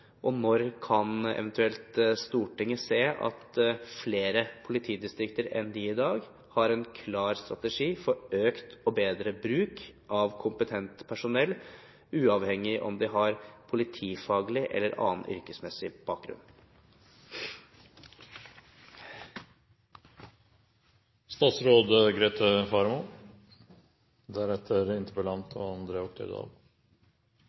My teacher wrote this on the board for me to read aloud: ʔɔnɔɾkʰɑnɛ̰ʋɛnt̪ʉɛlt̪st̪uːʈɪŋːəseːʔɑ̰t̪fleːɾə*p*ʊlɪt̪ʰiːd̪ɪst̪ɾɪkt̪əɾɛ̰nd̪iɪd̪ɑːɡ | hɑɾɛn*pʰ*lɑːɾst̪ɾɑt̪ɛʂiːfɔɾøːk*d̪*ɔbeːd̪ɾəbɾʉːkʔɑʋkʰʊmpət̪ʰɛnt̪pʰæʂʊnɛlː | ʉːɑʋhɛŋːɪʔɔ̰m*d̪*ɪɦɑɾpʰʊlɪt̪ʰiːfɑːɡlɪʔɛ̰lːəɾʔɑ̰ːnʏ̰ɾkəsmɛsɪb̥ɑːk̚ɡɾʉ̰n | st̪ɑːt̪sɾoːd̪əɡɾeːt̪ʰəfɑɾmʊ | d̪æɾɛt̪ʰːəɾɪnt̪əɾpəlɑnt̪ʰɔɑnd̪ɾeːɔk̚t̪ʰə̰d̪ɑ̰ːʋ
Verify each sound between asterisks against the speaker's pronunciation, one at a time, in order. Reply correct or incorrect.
incorrect: pʰ, incorrect: kʰ, incorrect: t̪, correct

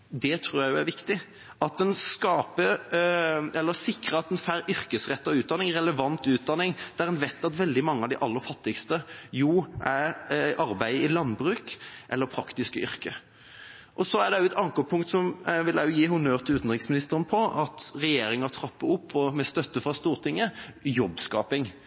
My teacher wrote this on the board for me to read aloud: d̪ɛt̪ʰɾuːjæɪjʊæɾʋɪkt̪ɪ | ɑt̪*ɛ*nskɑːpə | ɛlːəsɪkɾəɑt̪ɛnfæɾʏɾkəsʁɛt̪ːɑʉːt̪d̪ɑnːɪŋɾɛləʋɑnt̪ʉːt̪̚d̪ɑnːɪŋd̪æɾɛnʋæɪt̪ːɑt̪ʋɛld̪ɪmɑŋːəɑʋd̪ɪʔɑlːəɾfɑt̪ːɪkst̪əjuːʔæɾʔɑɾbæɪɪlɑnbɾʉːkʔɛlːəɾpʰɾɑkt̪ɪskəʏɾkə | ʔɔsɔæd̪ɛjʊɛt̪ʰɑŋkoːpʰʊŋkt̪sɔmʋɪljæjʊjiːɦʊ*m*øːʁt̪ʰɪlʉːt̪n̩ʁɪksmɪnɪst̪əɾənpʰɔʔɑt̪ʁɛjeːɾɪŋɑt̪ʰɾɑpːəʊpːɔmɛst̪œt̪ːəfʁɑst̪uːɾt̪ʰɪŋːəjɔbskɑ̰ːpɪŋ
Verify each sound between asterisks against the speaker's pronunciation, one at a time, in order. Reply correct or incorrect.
correct, incorrect: n

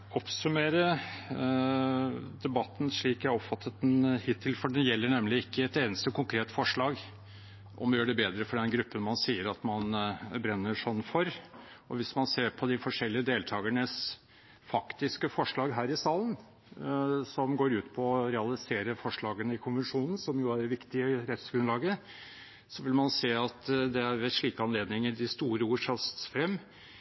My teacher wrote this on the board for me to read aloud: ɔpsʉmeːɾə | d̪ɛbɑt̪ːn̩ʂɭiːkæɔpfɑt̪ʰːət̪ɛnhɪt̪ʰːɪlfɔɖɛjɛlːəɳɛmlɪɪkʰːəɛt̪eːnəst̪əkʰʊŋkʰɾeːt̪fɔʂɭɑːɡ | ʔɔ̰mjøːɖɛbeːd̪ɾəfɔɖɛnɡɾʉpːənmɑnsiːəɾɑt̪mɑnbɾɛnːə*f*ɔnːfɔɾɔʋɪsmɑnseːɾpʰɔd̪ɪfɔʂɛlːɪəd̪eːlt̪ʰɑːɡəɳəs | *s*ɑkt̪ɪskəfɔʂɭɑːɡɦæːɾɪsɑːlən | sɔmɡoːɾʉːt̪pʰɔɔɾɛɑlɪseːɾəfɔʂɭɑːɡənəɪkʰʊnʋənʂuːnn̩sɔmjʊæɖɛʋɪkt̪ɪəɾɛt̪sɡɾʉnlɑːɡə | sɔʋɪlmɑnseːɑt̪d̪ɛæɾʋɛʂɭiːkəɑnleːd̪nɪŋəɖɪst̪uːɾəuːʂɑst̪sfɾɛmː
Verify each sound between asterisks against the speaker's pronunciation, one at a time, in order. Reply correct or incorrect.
incorrect: ʂ, incorrect: f

